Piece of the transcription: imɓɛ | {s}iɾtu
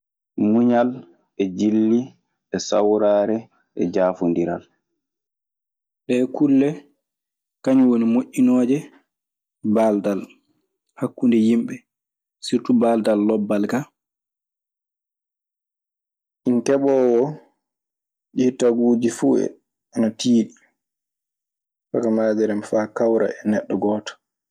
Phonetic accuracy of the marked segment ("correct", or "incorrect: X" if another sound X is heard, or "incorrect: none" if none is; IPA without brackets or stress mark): correct